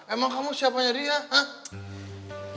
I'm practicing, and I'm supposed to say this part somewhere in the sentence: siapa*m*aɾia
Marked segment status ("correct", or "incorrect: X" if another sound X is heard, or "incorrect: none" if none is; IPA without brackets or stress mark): incorrect: ɲ